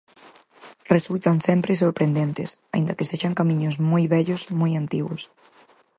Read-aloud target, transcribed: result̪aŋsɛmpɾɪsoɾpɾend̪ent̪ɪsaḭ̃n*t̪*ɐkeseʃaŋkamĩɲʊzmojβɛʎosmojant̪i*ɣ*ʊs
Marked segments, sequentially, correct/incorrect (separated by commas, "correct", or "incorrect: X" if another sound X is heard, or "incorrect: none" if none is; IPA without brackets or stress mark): incorrect: d̪, correct